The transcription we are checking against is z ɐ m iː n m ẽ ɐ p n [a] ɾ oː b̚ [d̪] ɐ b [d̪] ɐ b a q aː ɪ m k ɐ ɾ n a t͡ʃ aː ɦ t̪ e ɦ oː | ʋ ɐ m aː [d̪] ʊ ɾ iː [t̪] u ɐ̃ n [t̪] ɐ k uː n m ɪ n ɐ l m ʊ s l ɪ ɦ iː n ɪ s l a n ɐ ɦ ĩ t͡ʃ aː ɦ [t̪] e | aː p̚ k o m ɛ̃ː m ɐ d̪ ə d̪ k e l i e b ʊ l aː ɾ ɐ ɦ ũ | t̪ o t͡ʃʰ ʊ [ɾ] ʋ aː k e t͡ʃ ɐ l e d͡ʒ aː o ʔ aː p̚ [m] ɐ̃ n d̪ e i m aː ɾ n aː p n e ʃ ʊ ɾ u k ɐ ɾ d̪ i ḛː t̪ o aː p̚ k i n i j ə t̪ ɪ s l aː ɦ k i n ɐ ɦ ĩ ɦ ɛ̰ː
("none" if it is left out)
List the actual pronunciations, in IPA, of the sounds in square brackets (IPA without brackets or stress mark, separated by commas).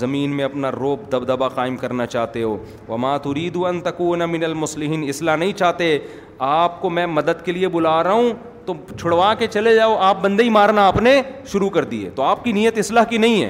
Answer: a, d̪, d̪, t̪, d̪, t̪, t̪, ɽ, b